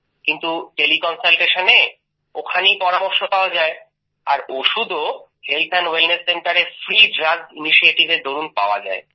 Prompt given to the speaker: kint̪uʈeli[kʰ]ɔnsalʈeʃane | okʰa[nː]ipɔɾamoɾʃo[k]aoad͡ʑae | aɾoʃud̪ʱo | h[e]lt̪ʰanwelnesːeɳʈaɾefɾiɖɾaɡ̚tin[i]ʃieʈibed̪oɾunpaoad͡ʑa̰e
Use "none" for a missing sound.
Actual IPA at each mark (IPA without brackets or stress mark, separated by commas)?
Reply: k, n, p, e, i